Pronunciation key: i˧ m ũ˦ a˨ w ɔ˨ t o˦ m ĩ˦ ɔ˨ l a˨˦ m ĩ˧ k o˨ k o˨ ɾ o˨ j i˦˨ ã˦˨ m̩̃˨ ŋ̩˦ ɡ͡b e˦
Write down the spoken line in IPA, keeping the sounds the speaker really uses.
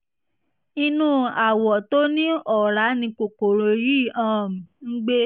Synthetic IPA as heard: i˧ n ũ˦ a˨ w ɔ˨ t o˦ n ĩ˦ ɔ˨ ɾ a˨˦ n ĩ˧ k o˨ k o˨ ɾ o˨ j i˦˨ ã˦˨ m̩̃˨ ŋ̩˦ ɡ͡b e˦